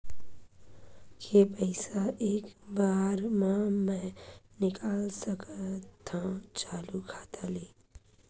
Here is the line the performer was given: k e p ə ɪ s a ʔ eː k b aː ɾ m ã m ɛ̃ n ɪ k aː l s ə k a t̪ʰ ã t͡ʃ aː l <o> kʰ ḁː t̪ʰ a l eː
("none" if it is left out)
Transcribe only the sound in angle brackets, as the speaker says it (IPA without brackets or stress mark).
u